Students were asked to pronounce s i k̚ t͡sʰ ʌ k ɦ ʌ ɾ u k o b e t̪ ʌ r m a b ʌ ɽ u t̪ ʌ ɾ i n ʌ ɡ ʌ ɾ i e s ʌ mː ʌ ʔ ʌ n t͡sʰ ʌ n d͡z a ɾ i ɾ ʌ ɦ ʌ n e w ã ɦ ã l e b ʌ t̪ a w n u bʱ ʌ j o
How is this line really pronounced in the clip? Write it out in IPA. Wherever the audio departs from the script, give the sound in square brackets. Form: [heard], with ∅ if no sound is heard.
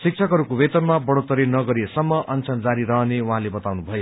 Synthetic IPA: s i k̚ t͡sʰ ʌ k ɦ ʌ ɾ u k o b e t̪ ʌ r m a b ʌ ɽ [o] t̪ ʌ ɾ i n ʌ ɡ ʌ ɾ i e s ʌ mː ʌ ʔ ʌ n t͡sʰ ʌ n d͡z a ɾ i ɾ ʌ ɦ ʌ n e w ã ɦ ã l e b ʌ t̪ a w n u bʱ ʌ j o